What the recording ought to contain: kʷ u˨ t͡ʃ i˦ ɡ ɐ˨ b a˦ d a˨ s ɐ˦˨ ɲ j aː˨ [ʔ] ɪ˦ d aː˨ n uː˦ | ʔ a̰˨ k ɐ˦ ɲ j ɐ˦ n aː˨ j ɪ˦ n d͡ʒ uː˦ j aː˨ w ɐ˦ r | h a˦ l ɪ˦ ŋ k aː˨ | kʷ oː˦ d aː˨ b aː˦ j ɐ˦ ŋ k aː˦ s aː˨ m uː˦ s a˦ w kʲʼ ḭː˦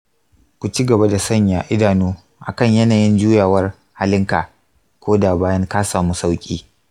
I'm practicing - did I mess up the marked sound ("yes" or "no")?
no